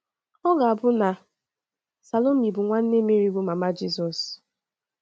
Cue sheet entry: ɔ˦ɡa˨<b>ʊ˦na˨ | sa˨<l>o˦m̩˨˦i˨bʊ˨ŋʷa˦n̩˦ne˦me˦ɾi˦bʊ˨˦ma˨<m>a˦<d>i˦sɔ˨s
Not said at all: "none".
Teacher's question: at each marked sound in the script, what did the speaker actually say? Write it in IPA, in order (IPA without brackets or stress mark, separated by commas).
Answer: b, l, m, d͡ʒ